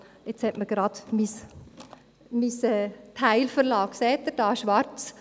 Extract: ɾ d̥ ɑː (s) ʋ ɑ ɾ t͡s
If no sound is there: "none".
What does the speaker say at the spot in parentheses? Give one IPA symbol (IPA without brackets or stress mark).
ʃ